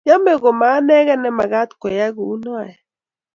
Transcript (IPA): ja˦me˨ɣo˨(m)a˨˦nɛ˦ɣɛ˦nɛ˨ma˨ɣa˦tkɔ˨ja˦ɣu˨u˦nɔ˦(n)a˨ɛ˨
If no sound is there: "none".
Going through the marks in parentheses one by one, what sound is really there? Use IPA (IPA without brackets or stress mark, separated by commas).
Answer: m, none